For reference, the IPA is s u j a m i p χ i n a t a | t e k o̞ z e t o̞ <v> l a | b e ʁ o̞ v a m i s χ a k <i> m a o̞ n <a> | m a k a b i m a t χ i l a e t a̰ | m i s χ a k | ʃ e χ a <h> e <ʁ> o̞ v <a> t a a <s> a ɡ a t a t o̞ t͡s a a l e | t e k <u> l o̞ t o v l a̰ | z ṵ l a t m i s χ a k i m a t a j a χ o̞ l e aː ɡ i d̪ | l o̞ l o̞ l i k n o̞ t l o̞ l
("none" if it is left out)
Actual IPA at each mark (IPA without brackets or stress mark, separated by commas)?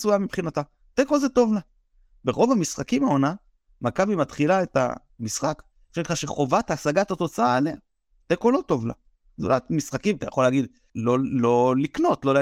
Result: v, i, a, ʃ, χ, a, s, o